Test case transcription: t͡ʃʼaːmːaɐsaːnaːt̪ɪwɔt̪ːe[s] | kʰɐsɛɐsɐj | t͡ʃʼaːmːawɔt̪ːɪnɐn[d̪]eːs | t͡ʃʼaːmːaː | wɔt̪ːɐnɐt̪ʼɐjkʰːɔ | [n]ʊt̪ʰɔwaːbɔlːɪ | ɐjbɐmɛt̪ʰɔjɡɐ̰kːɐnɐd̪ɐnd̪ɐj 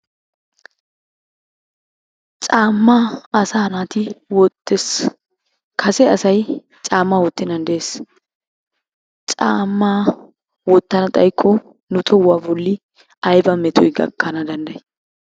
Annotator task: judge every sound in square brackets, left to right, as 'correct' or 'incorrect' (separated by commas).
correct, correct, correct